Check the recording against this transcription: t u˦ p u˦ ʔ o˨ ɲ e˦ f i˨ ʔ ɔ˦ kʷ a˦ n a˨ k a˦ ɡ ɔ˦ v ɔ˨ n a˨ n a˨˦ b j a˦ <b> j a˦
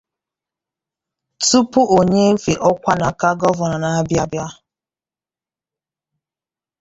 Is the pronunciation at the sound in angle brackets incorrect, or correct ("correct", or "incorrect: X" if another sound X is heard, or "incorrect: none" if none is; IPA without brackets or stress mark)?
correct